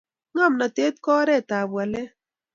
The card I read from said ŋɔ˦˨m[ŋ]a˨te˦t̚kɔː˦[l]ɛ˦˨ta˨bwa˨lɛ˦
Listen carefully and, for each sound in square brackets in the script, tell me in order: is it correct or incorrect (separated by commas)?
incorrect, incorrect